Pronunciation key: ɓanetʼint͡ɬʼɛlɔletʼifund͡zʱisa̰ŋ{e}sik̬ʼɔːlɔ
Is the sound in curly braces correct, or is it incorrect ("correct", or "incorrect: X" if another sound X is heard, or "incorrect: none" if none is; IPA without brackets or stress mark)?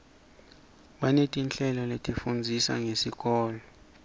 correct